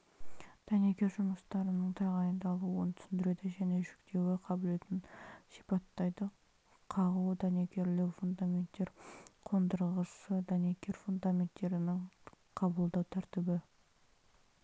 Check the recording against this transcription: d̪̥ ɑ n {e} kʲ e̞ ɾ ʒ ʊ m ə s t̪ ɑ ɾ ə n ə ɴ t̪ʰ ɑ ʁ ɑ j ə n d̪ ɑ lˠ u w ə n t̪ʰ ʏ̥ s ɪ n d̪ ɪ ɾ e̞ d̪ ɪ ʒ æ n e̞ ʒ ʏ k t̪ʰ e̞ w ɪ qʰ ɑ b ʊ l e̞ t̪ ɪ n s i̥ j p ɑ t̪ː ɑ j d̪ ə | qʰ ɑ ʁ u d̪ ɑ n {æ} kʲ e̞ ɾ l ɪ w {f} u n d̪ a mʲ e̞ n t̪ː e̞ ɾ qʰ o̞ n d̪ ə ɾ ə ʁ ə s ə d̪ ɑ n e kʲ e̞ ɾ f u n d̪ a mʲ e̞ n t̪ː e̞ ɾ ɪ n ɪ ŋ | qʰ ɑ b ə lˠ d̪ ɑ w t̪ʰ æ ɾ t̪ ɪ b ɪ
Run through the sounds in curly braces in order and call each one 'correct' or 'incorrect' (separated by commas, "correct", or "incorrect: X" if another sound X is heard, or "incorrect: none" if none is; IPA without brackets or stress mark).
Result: correct, incorrect: e, correct